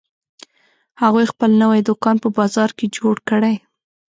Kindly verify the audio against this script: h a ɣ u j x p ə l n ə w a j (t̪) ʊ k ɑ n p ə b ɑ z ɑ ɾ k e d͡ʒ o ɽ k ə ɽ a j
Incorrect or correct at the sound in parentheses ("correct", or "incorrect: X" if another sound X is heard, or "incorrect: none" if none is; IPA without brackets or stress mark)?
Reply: incorrect: d̪